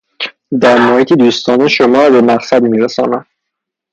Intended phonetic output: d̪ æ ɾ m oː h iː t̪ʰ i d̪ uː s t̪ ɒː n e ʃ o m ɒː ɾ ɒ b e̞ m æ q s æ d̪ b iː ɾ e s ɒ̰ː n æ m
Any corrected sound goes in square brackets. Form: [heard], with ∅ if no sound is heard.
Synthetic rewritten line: d̪ æ ɾ m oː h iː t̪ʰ i d̪ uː s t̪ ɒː n e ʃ o m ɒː ɾ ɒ b e̞ m æ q s æ d̪ [m] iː ɾ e s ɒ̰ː n æ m